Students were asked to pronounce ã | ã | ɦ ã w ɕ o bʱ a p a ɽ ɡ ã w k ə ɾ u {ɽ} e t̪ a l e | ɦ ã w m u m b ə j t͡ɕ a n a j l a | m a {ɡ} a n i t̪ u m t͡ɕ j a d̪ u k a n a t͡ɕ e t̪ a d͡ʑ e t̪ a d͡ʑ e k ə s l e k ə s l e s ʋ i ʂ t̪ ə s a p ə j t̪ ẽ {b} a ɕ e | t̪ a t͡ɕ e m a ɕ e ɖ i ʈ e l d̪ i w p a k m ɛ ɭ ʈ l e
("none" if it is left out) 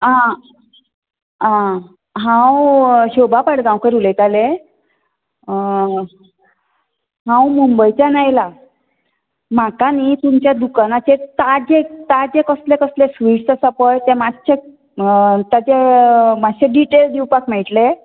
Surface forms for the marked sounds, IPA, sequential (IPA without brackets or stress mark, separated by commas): l, k, m